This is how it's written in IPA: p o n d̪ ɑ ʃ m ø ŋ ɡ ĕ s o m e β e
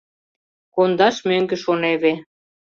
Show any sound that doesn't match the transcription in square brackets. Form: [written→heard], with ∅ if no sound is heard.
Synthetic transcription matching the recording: [p→k] o n d̪ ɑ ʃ m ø ŋ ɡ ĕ [s→ʃ] o [m→n] e β e